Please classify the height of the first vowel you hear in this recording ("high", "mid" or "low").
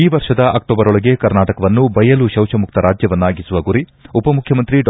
high